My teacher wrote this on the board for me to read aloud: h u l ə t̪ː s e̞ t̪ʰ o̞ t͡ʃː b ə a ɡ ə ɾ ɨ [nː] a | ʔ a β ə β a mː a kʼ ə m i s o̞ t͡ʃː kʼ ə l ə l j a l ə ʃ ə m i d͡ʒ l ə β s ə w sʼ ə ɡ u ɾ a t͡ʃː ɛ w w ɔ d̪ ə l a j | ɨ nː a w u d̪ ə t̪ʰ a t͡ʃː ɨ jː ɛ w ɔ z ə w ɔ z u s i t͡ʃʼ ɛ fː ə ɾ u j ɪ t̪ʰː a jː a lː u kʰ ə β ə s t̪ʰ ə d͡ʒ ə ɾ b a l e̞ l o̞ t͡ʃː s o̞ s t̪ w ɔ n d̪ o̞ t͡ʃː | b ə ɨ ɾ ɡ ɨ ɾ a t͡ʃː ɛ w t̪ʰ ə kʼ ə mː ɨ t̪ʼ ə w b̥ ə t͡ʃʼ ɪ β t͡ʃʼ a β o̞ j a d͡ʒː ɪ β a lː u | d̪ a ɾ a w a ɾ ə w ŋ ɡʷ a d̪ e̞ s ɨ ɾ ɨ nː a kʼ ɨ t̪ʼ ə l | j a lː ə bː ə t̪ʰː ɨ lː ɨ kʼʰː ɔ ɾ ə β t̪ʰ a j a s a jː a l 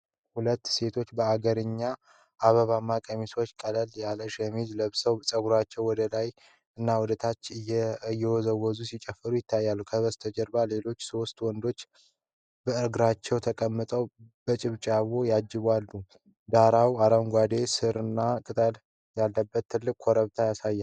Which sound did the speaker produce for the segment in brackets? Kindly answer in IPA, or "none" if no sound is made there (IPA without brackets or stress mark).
ɲː